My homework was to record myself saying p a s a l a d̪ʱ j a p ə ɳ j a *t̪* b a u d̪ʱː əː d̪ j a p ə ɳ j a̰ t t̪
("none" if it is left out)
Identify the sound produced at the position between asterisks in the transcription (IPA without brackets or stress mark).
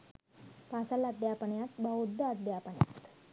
t̪